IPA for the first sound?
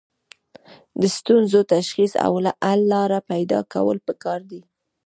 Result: d̪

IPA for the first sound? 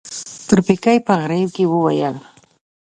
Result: t̪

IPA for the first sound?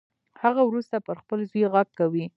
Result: h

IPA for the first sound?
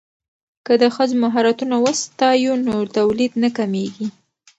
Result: k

